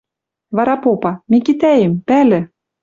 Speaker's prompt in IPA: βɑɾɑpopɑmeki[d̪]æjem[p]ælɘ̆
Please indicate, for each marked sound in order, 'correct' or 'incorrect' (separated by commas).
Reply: incorrect, correct